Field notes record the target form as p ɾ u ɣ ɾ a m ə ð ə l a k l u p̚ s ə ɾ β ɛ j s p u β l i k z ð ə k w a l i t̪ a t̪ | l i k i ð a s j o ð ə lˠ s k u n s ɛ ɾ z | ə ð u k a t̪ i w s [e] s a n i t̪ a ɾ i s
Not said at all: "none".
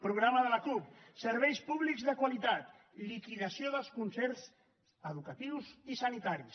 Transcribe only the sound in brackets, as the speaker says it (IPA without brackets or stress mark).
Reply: i